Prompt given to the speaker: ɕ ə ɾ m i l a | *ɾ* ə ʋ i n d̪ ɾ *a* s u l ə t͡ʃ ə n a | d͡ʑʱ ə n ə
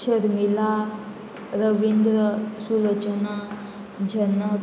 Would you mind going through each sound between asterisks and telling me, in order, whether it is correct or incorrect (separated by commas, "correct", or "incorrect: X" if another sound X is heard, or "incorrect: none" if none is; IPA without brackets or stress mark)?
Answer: correct, incorrect: ə